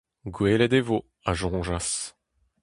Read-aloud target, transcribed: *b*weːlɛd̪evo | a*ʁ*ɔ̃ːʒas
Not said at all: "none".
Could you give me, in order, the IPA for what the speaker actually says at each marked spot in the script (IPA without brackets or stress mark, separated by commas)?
ɡ, ʒ